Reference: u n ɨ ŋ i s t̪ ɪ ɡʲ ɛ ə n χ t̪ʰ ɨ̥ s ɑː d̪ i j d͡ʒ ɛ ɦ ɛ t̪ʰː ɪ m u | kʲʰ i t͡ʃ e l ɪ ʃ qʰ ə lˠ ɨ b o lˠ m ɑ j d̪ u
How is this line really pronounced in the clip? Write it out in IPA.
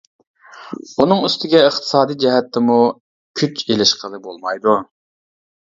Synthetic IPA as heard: u n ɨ ŋ y s t̪ ɪ ɡʲ ɛ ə χ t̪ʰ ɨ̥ s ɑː d̪ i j d͡ʒ ɛ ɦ ɛ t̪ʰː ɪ m u | kʲʰ y t͡ʃ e l ɪ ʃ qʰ ə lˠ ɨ b o lˠ m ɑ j d̪ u